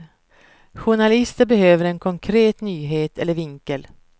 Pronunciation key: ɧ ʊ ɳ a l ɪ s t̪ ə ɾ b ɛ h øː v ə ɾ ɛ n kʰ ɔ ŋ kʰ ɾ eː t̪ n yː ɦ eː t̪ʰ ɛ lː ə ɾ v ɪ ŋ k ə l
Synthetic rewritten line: ɧ ʊ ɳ a l ɪ s t̪ ə ɾ b ɛ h øː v ə ɾ ɛ n kʰ ɔ ŋ kʰ ɾ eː t̪ n yː ɦ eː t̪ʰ ɛ lː ə ɾ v ɪ ŋ k ə l